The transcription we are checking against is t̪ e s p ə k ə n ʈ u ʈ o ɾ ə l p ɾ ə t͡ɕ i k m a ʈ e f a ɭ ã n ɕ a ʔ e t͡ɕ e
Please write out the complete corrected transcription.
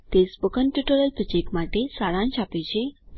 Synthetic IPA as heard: t̪ e s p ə k ə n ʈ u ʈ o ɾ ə l p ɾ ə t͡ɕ e k m a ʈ e s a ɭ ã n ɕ a p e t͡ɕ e